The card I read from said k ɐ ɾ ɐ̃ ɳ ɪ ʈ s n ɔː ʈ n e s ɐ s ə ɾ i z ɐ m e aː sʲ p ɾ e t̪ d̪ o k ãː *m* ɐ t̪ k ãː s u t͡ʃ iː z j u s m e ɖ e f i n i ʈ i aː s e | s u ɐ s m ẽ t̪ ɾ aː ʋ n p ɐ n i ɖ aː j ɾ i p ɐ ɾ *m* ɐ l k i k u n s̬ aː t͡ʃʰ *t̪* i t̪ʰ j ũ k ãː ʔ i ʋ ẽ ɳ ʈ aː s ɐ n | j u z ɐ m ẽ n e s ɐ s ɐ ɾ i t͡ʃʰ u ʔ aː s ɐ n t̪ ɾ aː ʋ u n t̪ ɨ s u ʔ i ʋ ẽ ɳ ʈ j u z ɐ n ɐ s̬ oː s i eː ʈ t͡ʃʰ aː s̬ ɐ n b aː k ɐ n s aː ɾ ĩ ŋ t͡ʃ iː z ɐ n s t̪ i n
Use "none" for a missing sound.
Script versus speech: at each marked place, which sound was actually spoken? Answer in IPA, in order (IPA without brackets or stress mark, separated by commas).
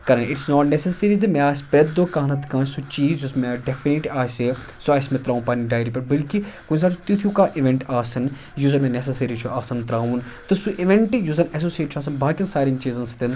n, b, t̪